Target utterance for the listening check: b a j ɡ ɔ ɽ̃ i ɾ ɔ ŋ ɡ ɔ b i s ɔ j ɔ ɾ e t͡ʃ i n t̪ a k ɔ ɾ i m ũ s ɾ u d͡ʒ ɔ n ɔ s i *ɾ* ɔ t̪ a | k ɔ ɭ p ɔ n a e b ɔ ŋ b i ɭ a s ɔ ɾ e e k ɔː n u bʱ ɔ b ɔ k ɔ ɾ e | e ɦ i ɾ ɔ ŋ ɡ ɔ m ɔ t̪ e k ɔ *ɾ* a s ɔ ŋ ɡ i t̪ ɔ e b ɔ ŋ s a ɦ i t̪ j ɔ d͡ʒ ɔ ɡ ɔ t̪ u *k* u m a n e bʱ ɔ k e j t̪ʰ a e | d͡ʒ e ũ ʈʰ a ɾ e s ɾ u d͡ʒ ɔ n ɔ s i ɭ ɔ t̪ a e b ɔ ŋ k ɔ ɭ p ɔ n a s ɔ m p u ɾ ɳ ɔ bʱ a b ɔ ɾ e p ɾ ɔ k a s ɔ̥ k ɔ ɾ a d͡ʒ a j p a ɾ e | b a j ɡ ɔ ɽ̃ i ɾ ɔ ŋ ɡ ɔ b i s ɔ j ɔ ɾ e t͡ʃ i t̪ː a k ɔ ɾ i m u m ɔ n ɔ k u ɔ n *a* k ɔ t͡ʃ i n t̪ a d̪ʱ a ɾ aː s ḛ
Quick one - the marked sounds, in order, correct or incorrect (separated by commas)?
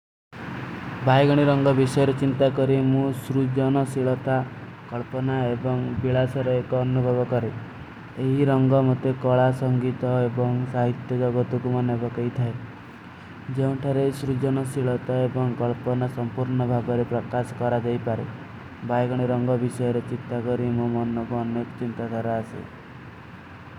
incorrect, incorrect, correct, incorrect